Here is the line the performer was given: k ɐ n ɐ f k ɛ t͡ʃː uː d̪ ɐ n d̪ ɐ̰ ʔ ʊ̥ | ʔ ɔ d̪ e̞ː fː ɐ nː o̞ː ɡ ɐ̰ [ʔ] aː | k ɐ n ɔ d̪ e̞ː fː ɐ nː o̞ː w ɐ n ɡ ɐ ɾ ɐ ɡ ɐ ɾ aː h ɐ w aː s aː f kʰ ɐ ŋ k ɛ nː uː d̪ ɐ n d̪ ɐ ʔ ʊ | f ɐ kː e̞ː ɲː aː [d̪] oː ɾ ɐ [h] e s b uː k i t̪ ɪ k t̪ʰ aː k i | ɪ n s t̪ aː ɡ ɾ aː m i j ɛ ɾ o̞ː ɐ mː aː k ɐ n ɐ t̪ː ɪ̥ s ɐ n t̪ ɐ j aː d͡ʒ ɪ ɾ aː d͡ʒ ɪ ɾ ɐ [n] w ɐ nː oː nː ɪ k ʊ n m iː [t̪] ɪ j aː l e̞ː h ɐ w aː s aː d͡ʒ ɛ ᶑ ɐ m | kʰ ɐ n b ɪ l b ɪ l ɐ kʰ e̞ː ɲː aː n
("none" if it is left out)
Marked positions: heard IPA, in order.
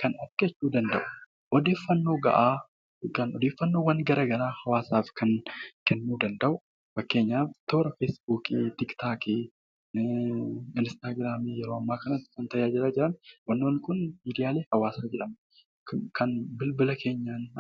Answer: ʔ, t̪, f, n, d̪

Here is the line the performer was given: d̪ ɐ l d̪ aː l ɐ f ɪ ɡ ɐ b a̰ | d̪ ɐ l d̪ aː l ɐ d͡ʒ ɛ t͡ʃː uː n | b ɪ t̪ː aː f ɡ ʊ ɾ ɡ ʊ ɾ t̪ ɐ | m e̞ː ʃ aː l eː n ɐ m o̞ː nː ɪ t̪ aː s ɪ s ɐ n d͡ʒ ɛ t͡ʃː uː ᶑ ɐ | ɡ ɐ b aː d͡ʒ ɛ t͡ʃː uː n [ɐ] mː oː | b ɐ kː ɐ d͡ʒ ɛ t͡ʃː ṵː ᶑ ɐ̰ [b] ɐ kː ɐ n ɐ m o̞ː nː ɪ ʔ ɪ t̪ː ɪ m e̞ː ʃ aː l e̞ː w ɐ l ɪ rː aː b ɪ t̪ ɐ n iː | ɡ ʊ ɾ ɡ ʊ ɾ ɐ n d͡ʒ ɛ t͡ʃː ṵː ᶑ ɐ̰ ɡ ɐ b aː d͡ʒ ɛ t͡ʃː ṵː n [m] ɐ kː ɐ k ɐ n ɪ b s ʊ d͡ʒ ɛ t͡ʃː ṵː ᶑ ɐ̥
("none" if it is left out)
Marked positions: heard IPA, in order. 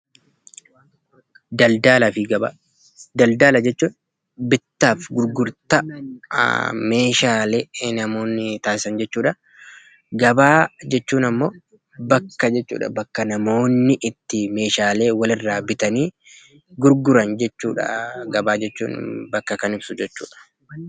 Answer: ɐ, b, b

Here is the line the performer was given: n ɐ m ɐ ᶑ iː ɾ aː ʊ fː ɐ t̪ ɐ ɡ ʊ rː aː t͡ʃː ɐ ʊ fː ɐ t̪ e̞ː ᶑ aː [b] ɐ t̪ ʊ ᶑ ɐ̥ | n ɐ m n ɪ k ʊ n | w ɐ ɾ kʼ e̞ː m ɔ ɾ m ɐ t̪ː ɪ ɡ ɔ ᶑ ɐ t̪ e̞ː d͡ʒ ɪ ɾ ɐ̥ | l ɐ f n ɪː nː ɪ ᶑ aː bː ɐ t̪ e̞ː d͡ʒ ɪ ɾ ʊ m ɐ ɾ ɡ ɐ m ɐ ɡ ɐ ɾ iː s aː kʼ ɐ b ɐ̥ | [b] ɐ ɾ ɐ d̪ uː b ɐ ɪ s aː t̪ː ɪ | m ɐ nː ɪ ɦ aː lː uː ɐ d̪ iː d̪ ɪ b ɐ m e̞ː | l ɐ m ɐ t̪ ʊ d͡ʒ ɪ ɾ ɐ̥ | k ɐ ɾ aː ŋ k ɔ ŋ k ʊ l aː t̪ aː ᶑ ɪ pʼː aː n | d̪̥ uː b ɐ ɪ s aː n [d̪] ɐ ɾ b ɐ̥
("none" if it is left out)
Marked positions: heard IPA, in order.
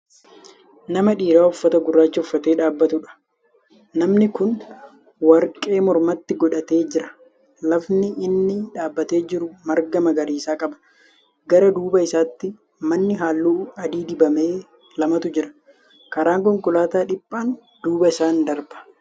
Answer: bː, ɡ, d̪

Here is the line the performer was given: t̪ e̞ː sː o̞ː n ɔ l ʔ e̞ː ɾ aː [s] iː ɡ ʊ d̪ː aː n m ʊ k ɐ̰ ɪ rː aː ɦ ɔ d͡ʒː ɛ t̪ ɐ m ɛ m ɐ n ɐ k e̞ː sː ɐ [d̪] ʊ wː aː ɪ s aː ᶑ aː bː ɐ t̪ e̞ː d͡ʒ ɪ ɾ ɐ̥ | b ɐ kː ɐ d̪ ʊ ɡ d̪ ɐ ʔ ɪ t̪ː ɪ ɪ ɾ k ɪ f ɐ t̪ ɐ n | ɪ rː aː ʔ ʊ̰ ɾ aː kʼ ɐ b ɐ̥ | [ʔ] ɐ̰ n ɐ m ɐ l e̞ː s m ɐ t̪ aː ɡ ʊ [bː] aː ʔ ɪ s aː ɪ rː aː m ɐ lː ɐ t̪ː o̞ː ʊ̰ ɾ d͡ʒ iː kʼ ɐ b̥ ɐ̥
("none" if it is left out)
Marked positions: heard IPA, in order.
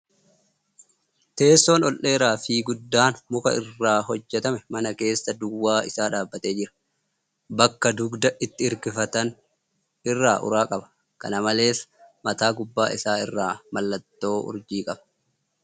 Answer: f, d̪, k, bː

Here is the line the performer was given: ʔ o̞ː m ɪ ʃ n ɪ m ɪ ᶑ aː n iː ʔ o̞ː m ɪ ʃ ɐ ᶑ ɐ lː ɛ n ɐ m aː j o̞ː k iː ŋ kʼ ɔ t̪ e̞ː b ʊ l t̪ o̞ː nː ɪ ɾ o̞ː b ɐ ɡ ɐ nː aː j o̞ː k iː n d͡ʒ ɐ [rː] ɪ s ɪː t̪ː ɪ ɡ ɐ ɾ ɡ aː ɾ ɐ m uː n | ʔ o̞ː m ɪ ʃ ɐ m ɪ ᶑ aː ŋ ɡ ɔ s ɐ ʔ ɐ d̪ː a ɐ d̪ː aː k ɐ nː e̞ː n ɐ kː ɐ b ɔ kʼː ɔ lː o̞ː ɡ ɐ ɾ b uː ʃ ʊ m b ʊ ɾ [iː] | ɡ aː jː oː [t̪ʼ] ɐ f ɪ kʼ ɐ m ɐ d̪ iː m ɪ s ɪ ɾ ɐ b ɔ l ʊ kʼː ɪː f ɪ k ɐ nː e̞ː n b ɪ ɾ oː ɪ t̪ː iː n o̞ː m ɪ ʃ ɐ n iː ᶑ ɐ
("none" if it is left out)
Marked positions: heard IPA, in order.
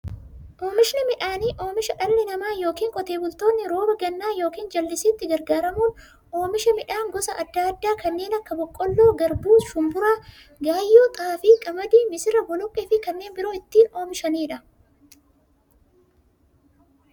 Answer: lː, aː, t̪ʼ

